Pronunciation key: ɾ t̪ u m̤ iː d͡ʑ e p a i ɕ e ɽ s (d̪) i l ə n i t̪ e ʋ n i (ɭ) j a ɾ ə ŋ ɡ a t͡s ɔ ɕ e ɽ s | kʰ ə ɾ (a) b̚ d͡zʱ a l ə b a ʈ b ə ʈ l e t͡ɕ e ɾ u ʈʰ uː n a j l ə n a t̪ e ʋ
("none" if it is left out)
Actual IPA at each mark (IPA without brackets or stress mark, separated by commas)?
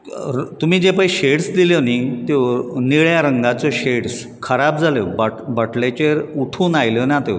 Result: d̪, ɭ, a